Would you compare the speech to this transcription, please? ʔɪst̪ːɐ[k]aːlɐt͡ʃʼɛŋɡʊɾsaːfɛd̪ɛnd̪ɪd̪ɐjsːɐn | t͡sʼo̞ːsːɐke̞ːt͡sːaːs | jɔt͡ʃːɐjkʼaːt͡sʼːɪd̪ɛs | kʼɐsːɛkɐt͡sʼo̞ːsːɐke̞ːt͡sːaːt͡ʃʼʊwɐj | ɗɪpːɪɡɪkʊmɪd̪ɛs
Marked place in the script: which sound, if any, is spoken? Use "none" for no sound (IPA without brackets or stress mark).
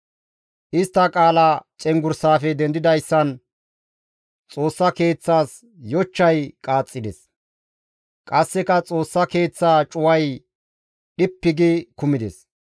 kʼ